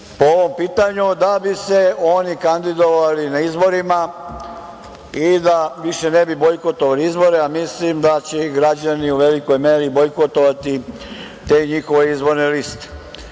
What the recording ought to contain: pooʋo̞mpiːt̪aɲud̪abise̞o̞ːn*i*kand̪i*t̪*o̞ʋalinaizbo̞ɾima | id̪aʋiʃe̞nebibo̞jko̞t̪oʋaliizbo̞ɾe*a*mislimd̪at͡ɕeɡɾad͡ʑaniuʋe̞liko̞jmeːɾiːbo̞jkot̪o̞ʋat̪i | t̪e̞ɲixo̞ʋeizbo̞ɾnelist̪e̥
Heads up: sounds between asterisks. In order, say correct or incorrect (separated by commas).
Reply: correct, incorrect, correct